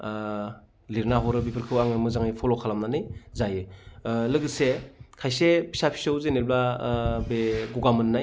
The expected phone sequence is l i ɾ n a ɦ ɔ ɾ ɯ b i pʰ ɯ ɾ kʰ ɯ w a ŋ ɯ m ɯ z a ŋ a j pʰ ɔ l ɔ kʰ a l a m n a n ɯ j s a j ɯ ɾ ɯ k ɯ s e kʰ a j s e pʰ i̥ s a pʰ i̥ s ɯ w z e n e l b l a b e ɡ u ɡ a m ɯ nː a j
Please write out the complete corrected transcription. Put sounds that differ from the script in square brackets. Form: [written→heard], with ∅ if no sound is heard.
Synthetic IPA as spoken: l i ɾ n a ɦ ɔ ɾ ɯ b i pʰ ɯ ɾ kʰ ɯ w a ŋ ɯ m ɯ z a ŋ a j pʰ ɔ l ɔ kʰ a l a m n a n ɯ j [s→z] a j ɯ [ɾ→l] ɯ [k→ɡ] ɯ s e kʰ a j s e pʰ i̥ s a pʰ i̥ s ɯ w z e n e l b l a b e ɡ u ɡ a m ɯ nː a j